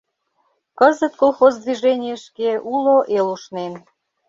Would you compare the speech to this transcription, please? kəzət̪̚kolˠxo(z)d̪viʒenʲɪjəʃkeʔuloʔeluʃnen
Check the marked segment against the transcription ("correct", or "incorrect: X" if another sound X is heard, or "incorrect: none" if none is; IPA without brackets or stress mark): correct